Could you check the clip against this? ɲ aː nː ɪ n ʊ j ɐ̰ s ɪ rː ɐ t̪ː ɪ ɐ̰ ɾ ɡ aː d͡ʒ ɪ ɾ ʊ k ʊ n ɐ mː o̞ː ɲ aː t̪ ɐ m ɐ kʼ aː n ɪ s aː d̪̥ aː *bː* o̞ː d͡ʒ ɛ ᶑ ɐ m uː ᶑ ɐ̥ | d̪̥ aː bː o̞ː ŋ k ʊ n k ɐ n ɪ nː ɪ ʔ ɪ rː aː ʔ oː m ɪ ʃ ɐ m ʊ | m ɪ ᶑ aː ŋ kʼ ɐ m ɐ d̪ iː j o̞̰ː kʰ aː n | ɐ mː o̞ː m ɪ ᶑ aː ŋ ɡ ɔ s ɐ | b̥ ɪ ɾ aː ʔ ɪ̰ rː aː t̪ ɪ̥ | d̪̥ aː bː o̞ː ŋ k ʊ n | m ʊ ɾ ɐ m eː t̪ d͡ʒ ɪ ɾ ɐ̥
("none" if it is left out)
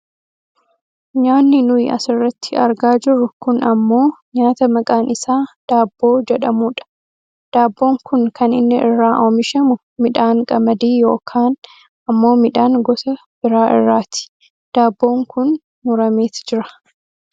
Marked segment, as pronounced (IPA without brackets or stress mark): bː